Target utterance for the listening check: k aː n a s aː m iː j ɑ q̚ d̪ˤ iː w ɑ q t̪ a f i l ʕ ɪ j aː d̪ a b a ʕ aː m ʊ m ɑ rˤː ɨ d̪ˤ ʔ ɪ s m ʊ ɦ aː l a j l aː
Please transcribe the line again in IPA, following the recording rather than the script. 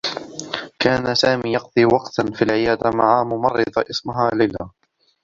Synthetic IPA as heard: k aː n a s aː m iː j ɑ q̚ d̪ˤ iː w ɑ q t̪ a f i l ʕ ɪ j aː d̪ a m a ʕ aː m ʊ m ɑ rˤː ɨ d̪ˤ ʔ ɪ s m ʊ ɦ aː l a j l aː